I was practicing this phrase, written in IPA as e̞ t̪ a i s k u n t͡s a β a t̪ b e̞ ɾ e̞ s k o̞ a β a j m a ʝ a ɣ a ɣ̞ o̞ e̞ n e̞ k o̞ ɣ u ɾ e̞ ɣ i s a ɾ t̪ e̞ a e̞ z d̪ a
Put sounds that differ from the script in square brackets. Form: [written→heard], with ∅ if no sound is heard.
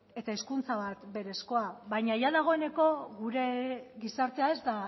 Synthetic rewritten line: e̞ t̪ a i s k u n t͡s a β a t̪ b e̞ ɾ e̞ s k o̞ a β a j [m→ɲ] a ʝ a [ɣ→ð] a ɣ̞ o̞ e̞ n e̞ k o̞ ɣ u ɾ e̞ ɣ i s a ɾ t̪ e̞ a e̞ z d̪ a